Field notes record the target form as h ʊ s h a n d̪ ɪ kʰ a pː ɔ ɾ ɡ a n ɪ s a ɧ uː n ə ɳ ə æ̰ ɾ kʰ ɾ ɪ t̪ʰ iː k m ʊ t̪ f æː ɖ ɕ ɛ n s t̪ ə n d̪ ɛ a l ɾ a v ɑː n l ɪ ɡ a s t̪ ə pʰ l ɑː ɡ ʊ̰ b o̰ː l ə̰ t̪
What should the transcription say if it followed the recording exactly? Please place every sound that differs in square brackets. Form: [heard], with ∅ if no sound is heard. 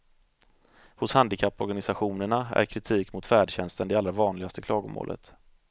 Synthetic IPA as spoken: h ʊ s h a n d̪ ɪ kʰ a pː ɔ ɾ ɡ a n ɪ s a ɧ uː n ə ɳ [a] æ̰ ɾ kʰ ɾ ɪ t̪ʰ iː k m ʊ t̪ f æː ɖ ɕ ɛ n s t̪ ə n d̪ ɛ a l ɾ a v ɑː n l ɪ ɡ a s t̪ ə [kʰ] l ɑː ɡ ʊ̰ [m] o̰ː l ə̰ t̪